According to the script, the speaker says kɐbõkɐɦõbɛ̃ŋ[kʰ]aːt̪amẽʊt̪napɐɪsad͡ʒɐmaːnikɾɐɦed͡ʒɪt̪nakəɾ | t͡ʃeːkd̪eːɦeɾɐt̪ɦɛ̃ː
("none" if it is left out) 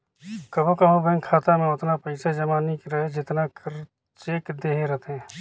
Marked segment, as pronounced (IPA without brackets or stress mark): kʰ